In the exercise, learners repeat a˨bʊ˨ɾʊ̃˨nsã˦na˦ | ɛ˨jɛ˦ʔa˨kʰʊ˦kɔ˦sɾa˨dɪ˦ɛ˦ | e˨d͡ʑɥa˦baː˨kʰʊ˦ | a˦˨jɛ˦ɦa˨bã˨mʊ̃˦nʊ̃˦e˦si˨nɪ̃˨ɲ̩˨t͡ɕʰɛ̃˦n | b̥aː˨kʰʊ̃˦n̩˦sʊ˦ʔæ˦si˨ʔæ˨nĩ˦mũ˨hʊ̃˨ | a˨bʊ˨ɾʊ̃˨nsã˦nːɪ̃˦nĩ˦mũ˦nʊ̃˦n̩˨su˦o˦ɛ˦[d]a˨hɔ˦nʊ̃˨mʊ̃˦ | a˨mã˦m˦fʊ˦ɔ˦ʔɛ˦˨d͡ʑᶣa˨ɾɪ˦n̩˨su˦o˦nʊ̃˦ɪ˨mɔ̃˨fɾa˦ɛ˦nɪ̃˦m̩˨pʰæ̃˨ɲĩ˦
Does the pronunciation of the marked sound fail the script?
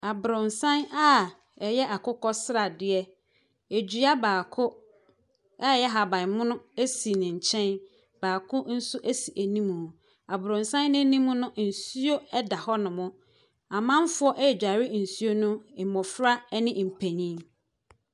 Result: no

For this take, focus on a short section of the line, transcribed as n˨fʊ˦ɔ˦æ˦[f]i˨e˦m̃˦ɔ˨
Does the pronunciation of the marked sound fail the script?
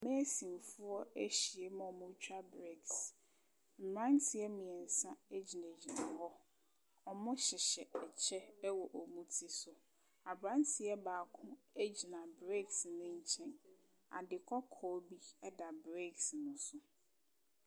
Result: yes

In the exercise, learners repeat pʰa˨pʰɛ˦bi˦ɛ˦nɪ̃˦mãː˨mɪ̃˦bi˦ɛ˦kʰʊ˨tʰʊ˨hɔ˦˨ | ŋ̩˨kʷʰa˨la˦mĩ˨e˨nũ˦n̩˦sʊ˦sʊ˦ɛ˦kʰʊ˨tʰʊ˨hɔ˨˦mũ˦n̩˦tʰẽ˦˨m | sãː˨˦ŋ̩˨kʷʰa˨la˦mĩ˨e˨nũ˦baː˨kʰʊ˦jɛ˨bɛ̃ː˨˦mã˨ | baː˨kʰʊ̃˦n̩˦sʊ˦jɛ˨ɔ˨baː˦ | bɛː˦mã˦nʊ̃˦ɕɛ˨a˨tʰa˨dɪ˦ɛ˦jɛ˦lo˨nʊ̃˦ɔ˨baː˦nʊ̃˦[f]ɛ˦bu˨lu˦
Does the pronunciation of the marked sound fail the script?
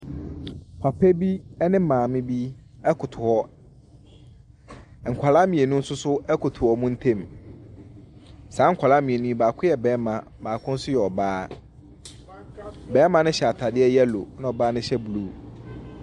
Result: yes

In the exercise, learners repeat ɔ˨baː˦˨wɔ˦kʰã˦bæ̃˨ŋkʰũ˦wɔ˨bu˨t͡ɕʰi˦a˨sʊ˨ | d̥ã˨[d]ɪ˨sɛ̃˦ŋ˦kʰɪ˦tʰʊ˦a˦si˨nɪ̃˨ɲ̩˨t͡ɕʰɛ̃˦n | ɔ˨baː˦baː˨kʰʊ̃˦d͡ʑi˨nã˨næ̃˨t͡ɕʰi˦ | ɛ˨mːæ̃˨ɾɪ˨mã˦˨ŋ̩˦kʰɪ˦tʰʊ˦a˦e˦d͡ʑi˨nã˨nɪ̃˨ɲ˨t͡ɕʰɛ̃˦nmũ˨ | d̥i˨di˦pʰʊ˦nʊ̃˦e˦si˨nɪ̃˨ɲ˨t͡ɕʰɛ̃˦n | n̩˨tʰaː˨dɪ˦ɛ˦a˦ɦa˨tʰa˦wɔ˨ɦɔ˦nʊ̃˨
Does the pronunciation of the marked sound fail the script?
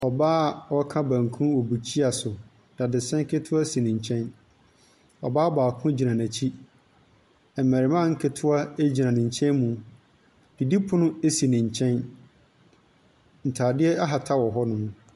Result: no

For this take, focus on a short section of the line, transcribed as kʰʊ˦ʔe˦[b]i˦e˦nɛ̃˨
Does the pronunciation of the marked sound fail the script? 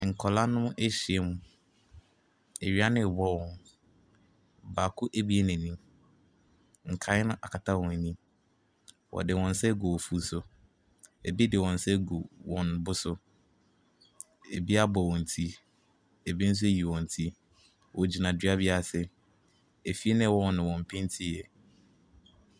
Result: no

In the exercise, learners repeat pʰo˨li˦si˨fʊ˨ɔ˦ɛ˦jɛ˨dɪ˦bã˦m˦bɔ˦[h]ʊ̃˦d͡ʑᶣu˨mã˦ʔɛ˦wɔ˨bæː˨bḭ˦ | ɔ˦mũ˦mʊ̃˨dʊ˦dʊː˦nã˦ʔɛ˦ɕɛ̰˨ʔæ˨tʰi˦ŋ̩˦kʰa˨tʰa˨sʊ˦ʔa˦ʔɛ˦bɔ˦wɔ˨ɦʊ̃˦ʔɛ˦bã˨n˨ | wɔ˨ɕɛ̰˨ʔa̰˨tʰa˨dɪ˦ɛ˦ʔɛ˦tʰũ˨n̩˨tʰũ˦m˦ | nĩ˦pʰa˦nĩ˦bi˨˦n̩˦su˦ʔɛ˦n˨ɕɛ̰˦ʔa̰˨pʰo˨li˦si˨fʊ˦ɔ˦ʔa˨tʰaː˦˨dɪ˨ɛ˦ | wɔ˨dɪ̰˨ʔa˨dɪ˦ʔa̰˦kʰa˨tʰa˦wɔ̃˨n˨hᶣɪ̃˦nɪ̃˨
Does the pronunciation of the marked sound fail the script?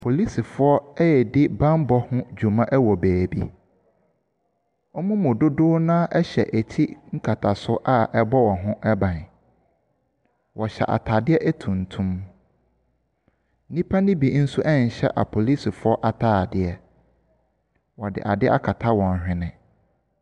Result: no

